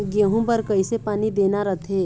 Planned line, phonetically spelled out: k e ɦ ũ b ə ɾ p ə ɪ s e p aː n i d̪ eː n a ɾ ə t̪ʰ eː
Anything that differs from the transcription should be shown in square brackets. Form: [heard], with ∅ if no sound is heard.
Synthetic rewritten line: [ɡ] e ɦ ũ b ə ɾ [k] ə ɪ s e p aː n i d̪ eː n a ɾ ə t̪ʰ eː